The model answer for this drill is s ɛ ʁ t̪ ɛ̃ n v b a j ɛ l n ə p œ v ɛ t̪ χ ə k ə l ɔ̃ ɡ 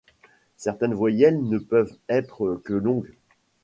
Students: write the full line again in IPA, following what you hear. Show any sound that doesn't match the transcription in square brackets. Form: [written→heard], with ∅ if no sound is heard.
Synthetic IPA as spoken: s ɛ ʁ t̪ [ɛ̃→ɛ] n v [b→w] a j ɛ l n ə p œ v ɛ t̪ χ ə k ə l ɔ̃ ɡ